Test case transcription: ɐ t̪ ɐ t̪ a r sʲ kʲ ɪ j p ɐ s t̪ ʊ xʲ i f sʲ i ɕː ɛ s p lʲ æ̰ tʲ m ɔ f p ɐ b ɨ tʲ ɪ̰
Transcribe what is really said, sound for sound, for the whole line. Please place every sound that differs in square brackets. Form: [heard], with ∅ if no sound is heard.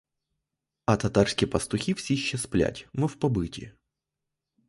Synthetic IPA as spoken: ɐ t̪ ɐ t̪ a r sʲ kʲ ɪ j p ɐ s t̪ ʊ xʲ i f sʲ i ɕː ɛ s p lʲ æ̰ tʲ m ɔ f p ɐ b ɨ tʲ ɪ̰